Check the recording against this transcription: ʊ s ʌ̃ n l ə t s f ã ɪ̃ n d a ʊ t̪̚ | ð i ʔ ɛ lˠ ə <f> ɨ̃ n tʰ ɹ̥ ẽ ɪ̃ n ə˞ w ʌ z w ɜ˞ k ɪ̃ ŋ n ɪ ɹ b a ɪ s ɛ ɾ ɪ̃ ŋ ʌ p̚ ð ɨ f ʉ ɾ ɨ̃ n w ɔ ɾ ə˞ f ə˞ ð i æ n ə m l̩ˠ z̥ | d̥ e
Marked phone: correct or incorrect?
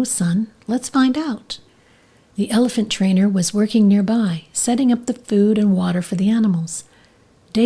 correct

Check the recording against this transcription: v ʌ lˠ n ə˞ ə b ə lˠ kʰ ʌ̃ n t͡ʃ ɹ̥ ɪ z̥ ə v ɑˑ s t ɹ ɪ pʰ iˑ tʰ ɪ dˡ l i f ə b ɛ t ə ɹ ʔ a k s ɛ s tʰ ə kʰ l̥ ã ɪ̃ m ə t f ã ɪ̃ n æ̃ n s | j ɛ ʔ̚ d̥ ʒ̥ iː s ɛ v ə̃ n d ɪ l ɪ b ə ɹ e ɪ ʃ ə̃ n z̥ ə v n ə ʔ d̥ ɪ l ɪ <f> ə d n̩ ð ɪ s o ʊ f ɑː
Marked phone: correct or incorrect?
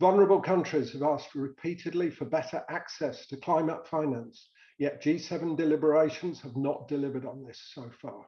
incorrect: v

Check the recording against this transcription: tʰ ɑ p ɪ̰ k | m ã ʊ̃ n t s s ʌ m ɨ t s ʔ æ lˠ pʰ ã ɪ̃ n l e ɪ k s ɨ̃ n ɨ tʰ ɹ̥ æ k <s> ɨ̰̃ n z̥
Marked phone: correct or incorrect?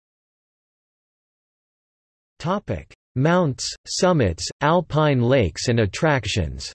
incorrect: ʃ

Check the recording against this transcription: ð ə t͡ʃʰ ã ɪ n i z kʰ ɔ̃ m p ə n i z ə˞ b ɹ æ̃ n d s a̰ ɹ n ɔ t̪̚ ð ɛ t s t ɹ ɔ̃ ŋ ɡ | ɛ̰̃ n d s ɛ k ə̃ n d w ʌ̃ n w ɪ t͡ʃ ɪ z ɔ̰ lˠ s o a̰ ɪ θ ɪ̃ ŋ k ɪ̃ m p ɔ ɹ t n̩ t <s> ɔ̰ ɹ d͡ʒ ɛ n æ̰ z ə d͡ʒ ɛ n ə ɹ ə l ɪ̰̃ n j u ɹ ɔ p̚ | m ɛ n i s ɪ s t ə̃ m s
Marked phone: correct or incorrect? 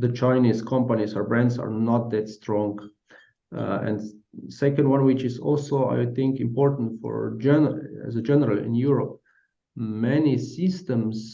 incorrect: f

